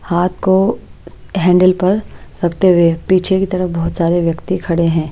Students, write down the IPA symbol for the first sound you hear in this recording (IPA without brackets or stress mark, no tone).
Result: h